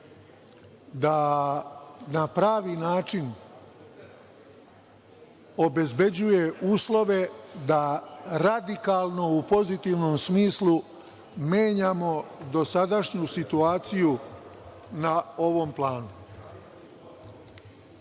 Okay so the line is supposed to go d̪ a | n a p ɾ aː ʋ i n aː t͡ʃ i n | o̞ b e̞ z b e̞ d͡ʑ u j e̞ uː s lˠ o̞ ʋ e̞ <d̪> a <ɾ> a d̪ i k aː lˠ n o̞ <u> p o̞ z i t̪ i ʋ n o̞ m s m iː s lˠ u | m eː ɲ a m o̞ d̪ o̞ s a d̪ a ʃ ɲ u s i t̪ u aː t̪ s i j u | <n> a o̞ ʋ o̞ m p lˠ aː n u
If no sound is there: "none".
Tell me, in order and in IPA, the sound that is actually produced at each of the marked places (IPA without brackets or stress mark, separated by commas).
d̪, ɾ, u, n